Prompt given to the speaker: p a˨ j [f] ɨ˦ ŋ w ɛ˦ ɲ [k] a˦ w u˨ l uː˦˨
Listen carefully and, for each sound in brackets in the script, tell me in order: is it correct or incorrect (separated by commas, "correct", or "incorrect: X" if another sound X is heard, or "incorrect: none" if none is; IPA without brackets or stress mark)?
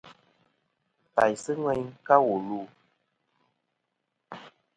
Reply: incorrect: s, correct